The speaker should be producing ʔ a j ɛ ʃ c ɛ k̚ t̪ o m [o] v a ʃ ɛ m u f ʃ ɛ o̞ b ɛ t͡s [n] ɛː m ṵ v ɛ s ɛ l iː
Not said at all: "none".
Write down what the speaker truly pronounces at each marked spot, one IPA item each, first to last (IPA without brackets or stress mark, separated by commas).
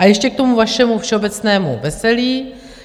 u, n